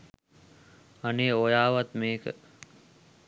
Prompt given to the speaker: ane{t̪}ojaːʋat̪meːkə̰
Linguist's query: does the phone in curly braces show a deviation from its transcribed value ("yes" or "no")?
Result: yes